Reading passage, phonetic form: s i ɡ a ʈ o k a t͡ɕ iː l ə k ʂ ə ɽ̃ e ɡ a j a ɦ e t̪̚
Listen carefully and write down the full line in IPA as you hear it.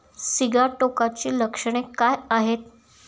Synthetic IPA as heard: s i ɡ a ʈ o k a t͡ɕ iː l ə k ʂ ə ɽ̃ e k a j a ɦ e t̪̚